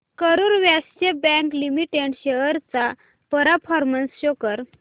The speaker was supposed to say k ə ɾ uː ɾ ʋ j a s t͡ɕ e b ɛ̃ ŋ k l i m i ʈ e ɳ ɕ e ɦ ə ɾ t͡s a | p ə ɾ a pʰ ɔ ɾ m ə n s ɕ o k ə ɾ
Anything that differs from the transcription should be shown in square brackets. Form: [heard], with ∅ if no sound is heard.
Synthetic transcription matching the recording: k ə ɾ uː ɾ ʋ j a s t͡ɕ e b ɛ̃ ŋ k l i m i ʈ e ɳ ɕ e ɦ ə ɾ t͡s a | p ə ɾ a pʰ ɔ ɾ m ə n s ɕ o k ə ɾ